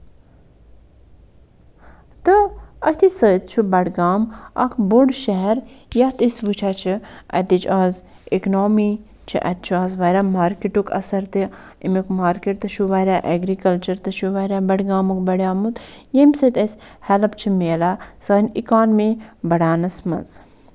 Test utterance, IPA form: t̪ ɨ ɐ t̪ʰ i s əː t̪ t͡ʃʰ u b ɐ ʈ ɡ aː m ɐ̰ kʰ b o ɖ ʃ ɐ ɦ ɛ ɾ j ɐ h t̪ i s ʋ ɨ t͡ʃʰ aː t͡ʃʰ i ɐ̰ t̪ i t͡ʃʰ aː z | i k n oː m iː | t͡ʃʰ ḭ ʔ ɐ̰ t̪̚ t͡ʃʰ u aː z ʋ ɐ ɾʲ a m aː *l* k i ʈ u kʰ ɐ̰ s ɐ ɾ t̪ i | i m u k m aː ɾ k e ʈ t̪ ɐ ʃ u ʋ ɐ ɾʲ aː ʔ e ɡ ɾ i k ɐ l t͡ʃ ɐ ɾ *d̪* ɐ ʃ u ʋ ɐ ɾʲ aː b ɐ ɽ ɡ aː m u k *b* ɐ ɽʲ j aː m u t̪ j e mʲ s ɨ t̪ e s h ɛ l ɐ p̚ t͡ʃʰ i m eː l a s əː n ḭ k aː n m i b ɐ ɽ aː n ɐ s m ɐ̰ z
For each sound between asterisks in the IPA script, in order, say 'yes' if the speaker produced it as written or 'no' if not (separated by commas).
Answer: no, no, yes